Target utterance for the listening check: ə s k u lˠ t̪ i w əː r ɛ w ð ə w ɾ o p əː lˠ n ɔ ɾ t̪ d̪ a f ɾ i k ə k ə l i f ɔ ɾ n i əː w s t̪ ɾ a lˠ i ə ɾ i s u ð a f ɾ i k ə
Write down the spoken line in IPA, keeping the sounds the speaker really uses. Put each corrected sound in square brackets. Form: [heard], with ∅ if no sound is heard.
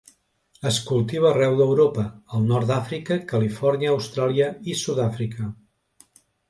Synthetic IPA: ə s k u lˠ t̪ i [β] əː r ɛ w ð ə w ɾ o p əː lˠ n ɔ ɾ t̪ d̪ a f ɾ i k ə k ə l i f ɔ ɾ n i əː w s t̪ ɾ a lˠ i ə [∅] i s u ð a f ɾ i k ə